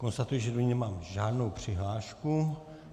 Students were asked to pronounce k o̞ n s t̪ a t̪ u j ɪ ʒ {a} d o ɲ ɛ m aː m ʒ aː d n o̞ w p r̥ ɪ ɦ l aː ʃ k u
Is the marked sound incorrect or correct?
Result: incorrect